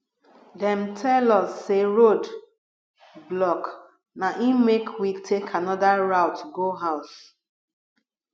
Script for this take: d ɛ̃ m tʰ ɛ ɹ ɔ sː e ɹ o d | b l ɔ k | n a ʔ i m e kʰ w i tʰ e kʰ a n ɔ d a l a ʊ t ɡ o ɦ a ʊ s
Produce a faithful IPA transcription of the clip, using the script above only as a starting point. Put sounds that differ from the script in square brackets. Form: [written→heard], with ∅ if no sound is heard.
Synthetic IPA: d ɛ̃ m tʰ ɛ [ɹ→l] ɔ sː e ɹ o d | b l ɔ k | n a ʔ i m e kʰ w i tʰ e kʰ a n ɔ d a [l→ɹ] a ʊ t ɡ o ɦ a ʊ s

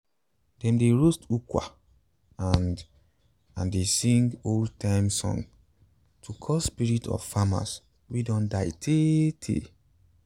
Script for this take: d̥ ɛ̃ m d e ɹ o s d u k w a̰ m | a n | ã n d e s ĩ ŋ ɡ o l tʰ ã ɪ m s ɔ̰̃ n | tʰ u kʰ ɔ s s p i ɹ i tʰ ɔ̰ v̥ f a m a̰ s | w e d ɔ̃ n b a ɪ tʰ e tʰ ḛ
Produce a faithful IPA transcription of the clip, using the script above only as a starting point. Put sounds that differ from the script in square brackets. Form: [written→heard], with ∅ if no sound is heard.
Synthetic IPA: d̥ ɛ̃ m d e ɹ o s [d→t] u k w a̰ [m→∅] | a n | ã n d e s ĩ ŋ ɡ o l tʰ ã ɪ m s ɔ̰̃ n | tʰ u kʰ ɔ s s p i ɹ i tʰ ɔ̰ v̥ f a m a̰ s | w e d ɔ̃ n [b→d] a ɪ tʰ e tʰ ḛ

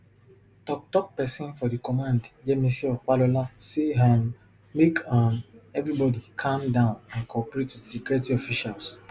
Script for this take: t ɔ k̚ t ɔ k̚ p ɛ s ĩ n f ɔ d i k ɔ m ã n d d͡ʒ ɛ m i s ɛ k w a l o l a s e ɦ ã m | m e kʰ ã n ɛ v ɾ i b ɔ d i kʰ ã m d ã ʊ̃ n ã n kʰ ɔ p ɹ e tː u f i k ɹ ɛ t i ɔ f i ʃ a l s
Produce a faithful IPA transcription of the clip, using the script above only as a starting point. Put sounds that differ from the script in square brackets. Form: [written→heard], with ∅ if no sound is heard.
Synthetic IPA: t ɔ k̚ t ɔ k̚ p ɛ s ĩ n f ɔ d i k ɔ m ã n d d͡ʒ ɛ m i s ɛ k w a l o l a s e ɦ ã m | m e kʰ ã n ɛ v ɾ i b ɔ d i kʰ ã m d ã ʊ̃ n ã n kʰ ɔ p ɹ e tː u [f→s] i k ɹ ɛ t i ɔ f i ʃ a l s

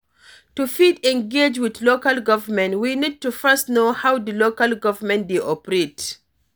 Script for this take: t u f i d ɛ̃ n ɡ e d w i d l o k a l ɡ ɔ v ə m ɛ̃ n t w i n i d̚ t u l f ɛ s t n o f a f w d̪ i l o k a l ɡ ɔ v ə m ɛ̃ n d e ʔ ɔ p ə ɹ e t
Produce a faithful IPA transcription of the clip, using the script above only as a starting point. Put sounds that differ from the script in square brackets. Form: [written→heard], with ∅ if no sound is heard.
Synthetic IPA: t u f i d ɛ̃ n ɡ e [d→d͡ʒ] w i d l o k a l ɡ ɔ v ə m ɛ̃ n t w i n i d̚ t u [l→∅] f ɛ s t n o [f→h] a [f→∅] w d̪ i l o k a l ɡ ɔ v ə m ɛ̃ n d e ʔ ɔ p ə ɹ e t

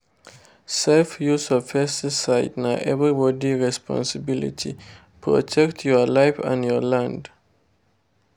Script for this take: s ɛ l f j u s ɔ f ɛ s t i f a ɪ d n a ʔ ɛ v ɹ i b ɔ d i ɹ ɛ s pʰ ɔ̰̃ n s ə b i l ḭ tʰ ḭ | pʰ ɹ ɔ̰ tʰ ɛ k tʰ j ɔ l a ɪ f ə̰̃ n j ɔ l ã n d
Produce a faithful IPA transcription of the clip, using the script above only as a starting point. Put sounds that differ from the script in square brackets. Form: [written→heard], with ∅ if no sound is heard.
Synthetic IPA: s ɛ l f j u s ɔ f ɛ s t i [f→s] a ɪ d n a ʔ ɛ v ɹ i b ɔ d i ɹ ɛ s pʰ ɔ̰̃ n s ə b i l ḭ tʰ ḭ | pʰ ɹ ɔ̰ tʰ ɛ k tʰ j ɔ l a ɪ f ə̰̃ n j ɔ l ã n d

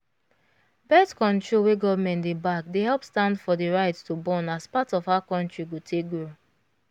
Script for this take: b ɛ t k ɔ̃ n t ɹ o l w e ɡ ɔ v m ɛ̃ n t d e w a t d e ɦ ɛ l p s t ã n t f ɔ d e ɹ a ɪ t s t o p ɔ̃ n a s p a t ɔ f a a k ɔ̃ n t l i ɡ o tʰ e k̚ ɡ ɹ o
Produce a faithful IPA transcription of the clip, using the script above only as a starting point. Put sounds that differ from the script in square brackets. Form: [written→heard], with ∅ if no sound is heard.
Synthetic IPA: b ɛ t k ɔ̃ n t ɹ o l w e ɡ ɔ v m ɛ̃ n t d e [w→b] a [t→k] d e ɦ ɛ l p s t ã n [t→d] f ɔ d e ɹ a ɪ t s t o [p→b] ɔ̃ n a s p a t ɔ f a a k ɔ̃ n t [l→ɹ] i ɡ o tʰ e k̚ ɡ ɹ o

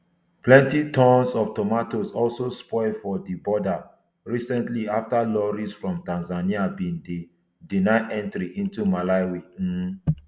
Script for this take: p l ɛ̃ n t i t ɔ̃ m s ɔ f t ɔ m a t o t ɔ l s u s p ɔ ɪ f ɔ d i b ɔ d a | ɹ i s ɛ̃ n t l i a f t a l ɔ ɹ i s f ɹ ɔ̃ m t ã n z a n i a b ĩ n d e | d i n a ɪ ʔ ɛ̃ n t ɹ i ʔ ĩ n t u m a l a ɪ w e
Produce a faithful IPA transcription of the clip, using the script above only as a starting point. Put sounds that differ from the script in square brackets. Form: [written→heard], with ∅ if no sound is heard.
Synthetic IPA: p l ɛ̃ n t i t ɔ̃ [m→n] s ɔ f t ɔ m a t o [t→s] ɔ l s [u→o] s p ɔ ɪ f ɔ d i b ɔ d a | ɹ i s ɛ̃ n t l i a f t a l ɔ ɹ i s f ɹ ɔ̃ m t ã n z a n i a b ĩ n d e | d i n a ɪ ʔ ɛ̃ n t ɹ i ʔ ĩ n t u m a l a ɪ w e

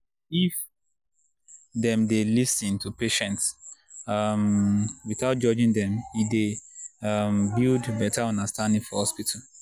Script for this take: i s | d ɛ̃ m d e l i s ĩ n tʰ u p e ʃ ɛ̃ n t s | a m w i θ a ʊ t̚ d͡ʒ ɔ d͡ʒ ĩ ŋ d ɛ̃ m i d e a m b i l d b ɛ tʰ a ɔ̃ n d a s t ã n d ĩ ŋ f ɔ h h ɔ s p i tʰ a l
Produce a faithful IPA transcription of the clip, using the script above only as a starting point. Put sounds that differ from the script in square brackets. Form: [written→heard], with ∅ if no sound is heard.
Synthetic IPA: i [s→f] | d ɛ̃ m d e l i s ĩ n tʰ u p e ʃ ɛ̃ n t s | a m w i θ a ʊ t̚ d͡ʒ ɔ d͡ʒ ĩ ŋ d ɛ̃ m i d e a m b i l d b ɛ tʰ a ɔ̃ n d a s t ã n d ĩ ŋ f ɔ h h ɔ s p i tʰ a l

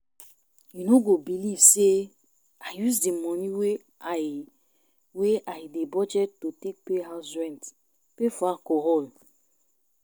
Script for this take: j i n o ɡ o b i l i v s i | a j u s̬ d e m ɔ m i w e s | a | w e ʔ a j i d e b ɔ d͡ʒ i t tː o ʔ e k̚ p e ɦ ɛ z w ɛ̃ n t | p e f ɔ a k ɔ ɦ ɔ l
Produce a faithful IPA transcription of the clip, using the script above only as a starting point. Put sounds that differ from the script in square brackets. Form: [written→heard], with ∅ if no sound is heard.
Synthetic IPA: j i n o ɡ o b i l i v s [i→e] | a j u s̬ d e m ɔ [m→n] i w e [s→∅] | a | w e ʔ a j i d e b ɔ d͡ʒ [i→ɛ] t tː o [ʔ→t] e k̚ p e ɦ [ɛ→a] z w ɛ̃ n t | p e f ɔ a k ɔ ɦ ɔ l

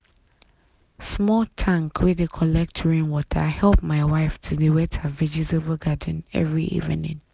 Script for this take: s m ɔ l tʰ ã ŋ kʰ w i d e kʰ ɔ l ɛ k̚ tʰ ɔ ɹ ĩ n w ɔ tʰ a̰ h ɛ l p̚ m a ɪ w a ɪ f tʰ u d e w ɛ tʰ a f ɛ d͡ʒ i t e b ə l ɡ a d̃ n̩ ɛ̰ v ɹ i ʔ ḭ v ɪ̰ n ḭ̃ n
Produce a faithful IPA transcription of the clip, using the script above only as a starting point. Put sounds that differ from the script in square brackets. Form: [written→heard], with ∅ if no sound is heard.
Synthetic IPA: s m ɔ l tʰ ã ŋ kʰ w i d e kʰ ɔ l ɛ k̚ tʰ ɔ ɹ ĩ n w ɔ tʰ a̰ h ɛ l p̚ m a ɪ w a ɪ f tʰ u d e w ɛ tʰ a [f→v] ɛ d͡ʒ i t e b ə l ɡ a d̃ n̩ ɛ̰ v ɹ i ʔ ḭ v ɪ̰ n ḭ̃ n

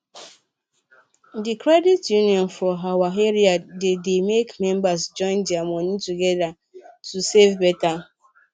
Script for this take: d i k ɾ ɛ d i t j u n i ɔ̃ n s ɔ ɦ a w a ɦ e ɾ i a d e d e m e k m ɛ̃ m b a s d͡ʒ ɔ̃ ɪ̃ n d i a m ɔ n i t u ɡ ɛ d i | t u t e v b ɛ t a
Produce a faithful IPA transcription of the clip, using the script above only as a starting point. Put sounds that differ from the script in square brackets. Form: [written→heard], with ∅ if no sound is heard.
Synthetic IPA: d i k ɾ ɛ d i t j u n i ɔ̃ n [s→f] ɔ ɦ a w a ɦ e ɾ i a d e d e m e k m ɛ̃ m b a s d͡ʒ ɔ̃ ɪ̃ n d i a m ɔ n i t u ɡ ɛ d [i→a] | t u [t→s] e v b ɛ t a

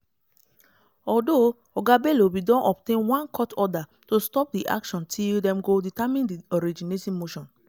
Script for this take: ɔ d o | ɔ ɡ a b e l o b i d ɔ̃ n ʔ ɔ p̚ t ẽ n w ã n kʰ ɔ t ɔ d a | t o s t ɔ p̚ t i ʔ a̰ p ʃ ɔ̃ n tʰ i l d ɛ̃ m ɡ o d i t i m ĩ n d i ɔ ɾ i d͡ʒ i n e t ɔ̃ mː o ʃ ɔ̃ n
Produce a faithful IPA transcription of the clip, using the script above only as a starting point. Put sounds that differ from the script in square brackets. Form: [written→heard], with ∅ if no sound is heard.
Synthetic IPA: ɔ d o | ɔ ɡ a b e l o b i d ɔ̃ n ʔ ɔ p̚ t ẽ n w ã n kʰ ɔ t ɔ d a | t o s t ɔ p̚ [t→d] i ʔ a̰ [p→k] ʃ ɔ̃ n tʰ i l d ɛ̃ m ɡ o d i t [i→a] m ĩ n d i ɔ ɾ i d͡ʒ i n e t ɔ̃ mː o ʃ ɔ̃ n

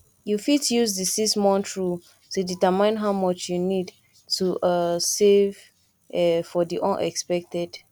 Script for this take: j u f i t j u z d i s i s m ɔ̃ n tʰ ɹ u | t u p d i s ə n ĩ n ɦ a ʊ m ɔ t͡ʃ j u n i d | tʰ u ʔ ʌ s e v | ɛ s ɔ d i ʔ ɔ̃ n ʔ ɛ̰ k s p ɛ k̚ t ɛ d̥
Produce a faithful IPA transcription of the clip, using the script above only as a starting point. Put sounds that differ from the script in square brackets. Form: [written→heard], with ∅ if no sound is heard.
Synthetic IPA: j u f i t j u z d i s i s m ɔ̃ n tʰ ɹ u | t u [p→∅] d i [s→t] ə [n→m] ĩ n ɦ a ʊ m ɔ t͡ʃ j u n i d | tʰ u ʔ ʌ s e v | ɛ [s→f] ɔ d i ʔ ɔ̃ n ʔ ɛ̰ k s p ɛ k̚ t ɛ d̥

